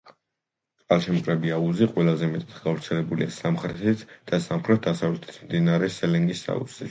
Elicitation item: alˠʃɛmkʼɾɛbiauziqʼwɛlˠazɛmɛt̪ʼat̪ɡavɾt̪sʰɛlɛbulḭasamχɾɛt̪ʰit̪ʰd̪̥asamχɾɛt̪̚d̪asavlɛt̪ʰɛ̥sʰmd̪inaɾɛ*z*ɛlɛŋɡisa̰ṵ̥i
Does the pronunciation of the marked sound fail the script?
yes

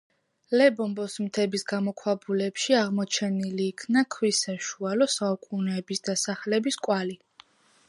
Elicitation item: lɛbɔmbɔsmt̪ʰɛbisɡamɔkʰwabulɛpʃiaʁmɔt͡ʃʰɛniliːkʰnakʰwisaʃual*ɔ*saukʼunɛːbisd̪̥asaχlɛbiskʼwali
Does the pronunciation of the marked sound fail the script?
no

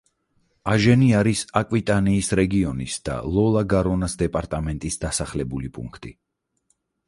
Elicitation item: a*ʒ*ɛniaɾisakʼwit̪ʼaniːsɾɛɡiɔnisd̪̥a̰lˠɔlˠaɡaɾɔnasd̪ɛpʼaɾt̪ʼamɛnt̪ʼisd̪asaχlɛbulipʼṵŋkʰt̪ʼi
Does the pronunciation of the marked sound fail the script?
no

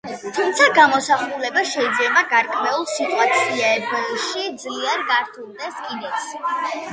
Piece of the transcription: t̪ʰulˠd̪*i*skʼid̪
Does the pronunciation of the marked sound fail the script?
yes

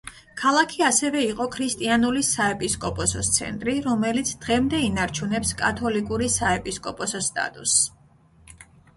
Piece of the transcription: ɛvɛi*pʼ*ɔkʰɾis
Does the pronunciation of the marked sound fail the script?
yes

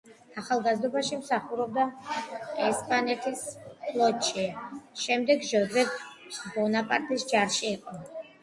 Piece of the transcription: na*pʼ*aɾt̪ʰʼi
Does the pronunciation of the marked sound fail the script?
no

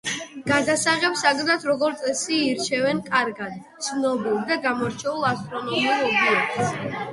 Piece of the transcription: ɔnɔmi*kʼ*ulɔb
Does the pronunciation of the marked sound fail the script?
yes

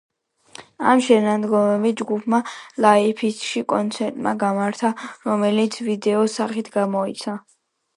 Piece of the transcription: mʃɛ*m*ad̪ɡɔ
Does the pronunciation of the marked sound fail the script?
yes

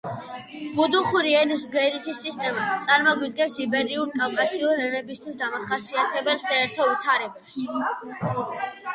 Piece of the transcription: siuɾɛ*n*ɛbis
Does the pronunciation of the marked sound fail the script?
no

